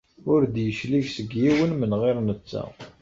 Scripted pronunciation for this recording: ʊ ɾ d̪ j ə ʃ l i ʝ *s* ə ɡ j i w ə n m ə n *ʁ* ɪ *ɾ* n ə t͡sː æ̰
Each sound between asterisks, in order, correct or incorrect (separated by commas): correct, correct, correct